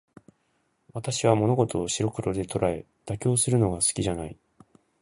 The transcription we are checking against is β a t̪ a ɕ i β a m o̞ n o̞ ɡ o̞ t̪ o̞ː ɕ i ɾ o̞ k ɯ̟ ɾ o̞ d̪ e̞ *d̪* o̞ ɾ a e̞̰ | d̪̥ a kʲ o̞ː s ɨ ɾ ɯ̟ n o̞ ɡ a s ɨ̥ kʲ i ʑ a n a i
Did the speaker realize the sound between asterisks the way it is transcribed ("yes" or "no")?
no